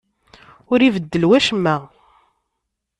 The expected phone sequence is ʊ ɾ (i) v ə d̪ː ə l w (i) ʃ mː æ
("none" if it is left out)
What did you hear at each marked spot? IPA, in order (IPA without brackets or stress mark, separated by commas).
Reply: i, æ